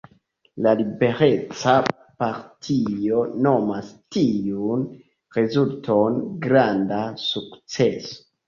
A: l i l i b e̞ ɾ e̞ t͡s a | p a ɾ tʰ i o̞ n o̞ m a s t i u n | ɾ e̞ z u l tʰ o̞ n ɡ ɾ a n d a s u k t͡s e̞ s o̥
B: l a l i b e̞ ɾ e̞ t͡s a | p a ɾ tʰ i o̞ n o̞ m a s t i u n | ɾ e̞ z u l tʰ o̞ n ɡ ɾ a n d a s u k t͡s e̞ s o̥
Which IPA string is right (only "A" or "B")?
B